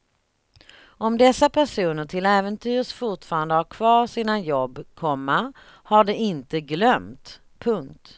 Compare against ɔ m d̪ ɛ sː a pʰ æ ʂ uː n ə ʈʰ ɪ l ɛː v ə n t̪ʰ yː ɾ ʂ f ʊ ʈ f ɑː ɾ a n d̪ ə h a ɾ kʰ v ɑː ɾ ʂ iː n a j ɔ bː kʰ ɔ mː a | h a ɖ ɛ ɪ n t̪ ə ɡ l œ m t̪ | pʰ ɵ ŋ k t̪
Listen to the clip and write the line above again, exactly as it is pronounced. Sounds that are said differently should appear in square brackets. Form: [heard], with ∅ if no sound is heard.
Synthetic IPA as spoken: ɔ m d̪ ɛ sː a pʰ æ ʂ uː n ə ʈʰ ɪ l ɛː v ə n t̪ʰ yː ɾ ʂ f ʊ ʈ f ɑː ɾ a n d̪ ə h a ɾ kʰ v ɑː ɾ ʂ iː n a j ɔ bː kʰ ɔ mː a | h a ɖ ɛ ɪ n t̪ ə ɡ l œ m t̪ | pʰ ɵ ŋ k t̪